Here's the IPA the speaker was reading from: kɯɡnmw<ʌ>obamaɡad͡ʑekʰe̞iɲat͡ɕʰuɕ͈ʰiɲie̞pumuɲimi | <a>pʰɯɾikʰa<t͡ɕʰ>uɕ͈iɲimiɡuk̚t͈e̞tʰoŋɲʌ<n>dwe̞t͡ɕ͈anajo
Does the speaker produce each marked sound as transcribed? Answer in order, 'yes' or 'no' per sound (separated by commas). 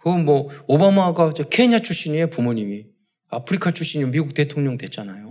yes, yes, yes, no